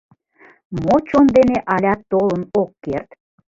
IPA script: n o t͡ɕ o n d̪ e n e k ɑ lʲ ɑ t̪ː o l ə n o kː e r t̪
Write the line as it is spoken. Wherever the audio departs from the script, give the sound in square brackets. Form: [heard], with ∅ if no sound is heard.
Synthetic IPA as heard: [m] o t͡ɕ o n d̪ e n e [ʔ] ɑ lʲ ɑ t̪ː o l ə n o kː e r t̪